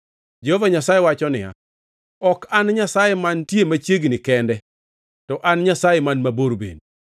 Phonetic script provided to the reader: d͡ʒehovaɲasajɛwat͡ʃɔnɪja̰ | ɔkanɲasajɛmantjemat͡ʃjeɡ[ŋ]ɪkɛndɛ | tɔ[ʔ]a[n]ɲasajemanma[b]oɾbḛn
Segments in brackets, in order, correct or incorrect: incorrect, correct, correct, correct

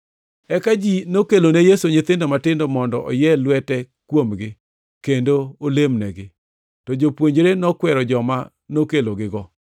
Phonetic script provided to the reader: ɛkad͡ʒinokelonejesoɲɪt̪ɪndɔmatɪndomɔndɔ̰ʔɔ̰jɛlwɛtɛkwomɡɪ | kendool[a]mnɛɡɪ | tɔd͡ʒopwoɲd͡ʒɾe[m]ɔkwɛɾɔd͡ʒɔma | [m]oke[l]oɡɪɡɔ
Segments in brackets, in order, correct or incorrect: incorrect, incorrect, incorrect, correct

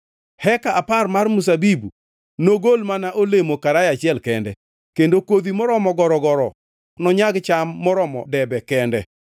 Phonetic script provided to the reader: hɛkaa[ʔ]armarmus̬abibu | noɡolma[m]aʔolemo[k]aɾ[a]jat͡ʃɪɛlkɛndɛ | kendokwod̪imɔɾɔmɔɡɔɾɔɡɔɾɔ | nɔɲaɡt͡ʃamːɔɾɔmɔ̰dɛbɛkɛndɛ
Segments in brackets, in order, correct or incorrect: incorrect, incorrect, correct, correct

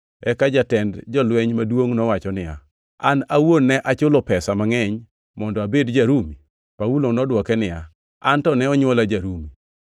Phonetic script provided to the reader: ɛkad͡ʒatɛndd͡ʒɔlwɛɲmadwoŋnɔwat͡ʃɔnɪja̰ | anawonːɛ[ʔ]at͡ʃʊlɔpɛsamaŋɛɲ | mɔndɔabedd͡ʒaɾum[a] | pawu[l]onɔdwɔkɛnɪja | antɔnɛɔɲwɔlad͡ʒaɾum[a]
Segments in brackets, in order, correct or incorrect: correct, incorrect, correct, incorrect

